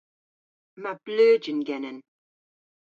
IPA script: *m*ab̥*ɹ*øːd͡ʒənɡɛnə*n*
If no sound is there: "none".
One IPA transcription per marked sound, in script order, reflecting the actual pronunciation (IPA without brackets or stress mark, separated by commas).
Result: m, l, n